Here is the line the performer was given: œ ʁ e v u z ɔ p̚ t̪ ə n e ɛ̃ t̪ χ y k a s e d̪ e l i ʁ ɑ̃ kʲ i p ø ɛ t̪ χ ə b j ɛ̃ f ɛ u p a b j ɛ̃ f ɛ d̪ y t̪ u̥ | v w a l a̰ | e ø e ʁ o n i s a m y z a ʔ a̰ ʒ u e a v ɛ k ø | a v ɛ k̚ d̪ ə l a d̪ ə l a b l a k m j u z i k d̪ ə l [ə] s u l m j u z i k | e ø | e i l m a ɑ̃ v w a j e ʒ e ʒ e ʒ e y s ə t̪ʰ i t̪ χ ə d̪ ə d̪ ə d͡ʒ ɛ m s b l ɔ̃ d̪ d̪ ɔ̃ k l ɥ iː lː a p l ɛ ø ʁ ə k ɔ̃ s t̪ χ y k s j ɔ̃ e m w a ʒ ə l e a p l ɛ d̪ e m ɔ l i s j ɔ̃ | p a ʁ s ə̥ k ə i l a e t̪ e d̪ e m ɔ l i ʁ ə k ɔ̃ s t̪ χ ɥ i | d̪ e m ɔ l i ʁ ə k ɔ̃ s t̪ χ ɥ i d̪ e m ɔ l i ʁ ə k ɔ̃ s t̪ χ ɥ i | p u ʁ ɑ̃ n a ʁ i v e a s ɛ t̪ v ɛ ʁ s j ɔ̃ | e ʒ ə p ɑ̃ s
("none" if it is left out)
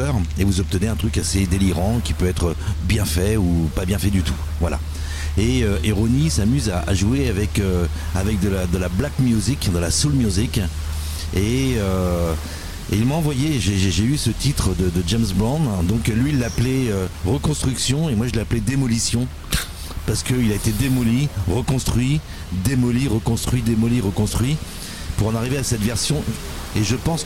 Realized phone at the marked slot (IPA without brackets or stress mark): a